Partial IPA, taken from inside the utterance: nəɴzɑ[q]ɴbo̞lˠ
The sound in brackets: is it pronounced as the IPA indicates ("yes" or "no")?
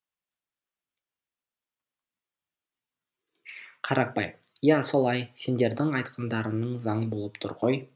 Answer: no